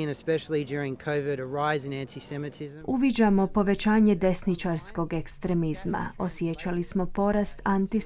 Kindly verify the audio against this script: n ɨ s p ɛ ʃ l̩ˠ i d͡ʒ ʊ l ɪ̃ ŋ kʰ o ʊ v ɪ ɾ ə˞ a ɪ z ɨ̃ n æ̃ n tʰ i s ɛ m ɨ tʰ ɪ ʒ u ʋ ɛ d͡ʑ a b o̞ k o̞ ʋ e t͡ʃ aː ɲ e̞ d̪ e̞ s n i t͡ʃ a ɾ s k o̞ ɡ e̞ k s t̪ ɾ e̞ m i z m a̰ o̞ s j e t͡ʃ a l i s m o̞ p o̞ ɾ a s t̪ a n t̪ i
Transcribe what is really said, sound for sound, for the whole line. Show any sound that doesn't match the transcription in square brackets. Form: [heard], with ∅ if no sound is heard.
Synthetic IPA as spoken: n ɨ s p ɛ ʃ l̩ˠ i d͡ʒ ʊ [ɹ] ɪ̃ ŋ kʰ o ʊ v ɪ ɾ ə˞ a ɪ z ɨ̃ n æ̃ n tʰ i s ɛ m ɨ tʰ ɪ [z] u ʋ [i] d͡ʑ a [m] o̞ [p] o̞ ʋ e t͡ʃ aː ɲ e̞ d̪ e̞ s n i t͡ʃ a ɾ s k o̞ ɡ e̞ k s t̪ ɾ e̞ m i z m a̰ o̞ s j e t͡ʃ a l i s m o̞ p o̞ ɾ a s t̪ a n t̪ i